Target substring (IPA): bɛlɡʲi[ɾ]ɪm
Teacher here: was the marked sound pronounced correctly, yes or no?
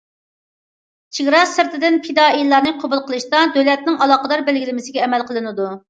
no